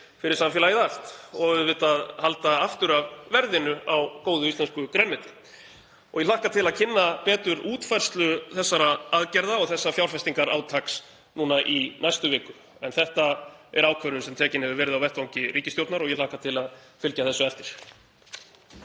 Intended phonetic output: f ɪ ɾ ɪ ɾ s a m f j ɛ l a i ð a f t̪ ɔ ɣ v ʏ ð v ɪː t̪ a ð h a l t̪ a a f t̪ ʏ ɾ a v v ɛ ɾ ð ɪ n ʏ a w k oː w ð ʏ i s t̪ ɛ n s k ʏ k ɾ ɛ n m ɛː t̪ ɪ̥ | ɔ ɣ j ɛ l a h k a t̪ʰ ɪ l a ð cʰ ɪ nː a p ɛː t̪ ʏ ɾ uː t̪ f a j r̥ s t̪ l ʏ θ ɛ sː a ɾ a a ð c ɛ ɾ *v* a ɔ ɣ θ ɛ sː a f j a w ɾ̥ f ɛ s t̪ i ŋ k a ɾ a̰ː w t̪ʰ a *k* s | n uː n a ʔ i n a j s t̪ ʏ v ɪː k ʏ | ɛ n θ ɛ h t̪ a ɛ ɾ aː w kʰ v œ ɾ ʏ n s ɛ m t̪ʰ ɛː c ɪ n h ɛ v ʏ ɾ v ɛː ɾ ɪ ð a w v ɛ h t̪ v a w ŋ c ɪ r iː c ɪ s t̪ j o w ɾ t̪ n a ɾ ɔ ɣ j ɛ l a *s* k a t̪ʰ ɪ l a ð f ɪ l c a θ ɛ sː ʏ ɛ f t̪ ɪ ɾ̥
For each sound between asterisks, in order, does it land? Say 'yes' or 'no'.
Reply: no, yes, no

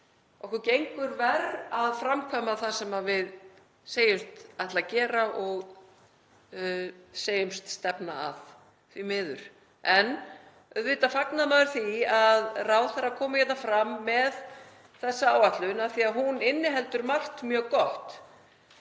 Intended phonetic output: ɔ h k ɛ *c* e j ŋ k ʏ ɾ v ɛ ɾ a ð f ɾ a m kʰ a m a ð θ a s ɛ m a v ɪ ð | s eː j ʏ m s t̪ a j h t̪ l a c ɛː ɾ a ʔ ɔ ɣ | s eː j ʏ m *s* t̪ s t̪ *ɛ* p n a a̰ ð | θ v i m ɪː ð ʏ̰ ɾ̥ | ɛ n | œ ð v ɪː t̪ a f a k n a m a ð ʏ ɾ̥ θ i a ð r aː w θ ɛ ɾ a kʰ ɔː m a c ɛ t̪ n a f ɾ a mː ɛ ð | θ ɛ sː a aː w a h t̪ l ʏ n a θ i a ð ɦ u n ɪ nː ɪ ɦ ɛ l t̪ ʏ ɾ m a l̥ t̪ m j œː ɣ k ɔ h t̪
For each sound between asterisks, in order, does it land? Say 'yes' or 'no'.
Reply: yes, yes, yes

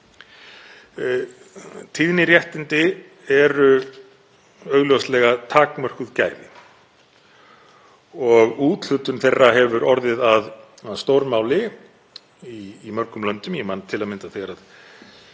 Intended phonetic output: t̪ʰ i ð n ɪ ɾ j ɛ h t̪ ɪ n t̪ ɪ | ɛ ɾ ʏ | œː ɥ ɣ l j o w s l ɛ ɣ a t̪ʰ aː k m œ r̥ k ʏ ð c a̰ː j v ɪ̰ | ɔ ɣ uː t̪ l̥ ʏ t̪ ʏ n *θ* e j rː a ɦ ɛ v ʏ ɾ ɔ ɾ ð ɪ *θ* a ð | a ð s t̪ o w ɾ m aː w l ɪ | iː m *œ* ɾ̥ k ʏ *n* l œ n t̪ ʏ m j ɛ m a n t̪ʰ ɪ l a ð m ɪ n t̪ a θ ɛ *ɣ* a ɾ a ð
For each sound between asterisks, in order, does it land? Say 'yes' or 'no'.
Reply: yes, no, yes, no, yes

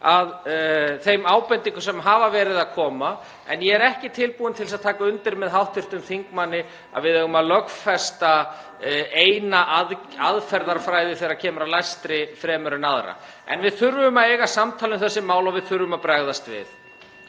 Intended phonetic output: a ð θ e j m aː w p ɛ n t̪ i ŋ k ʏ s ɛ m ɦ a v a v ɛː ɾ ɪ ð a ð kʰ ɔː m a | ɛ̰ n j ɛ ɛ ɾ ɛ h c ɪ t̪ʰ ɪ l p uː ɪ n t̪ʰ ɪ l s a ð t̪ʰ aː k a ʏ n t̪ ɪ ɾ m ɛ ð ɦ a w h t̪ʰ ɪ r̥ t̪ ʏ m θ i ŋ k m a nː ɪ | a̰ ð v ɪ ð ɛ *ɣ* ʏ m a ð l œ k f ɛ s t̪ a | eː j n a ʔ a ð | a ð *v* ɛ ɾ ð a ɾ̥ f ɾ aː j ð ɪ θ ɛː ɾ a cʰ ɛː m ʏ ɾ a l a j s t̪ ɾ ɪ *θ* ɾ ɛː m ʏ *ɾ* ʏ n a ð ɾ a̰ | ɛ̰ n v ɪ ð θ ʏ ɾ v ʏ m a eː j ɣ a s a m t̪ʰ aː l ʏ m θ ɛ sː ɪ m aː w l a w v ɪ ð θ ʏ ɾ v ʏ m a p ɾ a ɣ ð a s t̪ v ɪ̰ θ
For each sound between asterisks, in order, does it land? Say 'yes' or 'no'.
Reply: yes, no, no, yes

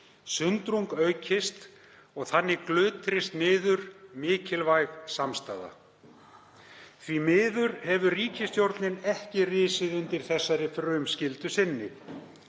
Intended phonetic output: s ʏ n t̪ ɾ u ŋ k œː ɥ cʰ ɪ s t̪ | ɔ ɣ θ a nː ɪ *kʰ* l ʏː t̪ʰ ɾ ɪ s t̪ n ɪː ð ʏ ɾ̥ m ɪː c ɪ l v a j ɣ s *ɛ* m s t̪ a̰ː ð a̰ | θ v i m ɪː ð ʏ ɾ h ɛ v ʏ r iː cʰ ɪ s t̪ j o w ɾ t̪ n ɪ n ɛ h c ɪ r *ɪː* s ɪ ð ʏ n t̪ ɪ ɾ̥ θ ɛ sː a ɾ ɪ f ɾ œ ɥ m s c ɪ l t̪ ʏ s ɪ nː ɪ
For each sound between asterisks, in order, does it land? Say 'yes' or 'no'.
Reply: no, no, yes

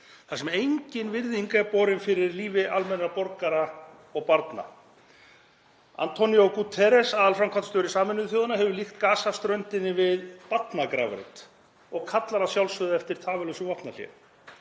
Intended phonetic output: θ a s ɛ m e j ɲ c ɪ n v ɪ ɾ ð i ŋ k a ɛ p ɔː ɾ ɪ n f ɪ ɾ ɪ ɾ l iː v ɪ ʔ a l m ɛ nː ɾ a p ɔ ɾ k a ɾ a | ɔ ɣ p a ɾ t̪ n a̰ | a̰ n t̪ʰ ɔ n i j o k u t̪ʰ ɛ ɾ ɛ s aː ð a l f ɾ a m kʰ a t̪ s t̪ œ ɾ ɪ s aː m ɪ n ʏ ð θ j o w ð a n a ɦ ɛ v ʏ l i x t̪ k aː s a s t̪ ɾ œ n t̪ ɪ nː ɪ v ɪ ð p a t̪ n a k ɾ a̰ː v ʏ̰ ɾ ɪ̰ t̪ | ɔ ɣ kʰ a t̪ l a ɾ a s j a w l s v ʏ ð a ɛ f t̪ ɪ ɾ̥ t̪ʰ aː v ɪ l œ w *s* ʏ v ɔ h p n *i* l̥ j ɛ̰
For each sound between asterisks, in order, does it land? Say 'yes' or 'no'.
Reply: yes, no

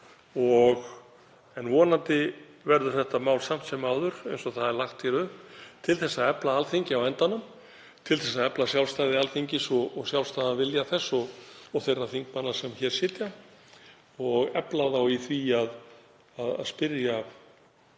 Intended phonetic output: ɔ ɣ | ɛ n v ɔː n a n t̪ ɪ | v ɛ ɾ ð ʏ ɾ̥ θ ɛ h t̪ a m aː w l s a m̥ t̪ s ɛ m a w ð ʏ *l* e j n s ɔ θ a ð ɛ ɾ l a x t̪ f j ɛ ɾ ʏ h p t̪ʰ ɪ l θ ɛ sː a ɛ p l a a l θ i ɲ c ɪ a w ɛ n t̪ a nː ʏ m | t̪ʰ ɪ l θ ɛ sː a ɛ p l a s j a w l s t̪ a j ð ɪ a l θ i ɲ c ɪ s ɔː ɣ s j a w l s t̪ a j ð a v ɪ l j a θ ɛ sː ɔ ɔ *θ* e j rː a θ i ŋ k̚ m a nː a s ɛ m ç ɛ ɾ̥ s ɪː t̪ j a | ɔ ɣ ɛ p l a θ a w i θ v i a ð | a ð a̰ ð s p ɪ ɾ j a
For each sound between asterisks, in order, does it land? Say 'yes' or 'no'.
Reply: no, yes

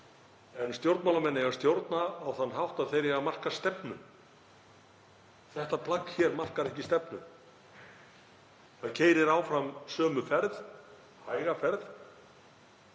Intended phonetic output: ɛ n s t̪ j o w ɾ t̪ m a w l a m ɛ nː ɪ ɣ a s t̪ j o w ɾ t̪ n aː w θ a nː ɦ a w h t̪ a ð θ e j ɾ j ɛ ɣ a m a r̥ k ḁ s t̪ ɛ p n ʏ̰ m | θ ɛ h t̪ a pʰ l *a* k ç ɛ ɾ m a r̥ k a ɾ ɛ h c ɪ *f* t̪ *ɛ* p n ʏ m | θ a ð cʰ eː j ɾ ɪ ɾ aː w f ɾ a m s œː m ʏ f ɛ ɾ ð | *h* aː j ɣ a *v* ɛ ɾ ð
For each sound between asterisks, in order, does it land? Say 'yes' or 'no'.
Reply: yes, no, yes, yes, no

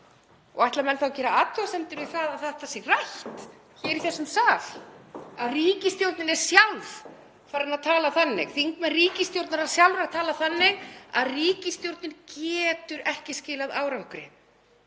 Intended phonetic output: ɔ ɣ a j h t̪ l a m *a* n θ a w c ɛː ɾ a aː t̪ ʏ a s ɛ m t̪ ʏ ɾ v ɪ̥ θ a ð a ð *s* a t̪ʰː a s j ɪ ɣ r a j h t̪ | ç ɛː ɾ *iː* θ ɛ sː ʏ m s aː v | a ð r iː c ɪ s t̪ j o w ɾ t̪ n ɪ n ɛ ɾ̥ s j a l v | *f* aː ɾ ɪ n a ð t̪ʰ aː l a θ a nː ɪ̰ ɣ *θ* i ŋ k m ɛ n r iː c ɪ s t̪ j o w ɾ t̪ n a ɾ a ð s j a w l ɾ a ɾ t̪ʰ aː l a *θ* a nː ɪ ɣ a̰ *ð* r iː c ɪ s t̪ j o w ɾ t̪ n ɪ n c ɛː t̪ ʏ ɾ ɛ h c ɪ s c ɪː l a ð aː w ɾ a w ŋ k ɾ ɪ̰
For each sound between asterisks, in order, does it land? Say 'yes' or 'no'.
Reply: no, no, no, yes, yes, yes, yes

